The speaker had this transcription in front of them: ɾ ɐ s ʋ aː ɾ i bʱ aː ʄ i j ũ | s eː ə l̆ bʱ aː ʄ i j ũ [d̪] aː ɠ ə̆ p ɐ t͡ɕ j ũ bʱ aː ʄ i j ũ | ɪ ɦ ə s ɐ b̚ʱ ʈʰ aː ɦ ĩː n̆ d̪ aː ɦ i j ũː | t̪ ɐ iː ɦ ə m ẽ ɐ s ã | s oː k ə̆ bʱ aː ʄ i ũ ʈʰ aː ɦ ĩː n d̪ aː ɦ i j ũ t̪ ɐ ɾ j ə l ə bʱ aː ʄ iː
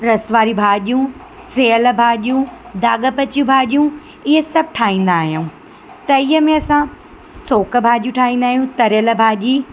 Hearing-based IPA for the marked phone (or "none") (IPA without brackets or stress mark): d̪